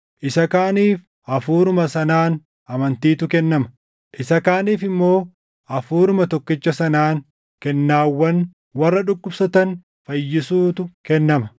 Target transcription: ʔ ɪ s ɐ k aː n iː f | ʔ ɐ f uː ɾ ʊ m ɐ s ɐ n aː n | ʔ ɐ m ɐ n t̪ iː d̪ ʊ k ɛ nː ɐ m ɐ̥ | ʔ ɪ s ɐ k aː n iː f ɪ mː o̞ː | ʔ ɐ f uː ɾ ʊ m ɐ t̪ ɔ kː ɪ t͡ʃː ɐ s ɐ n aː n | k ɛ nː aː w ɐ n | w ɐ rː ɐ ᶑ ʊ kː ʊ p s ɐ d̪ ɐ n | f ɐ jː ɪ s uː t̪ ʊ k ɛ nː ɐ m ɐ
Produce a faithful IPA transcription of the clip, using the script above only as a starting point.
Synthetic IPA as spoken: ʔ ɪ s ɐ k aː n iː f | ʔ ɐ f uː ɾ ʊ m ɐ s ɐ n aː n | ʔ ɐ m ɐ n t̪ iː t̪ ʊ k ɛ nː ɐ m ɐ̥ | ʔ ɪ s ɐ k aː n iː f ɪ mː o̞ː | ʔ ɐ f uː ɾ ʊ m ɐ t̪ ɔ kː ɪ t͡ʃː ɐ s ɐ n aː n | k ɛ nː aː wː ɐ n | w ɐ rː ɐ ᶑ ʊ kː ʊ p s ɐ t̪ ɐ n | f ɐ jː ɪ s uː t̪ ʊ k ɛ nː ɐ m ɐ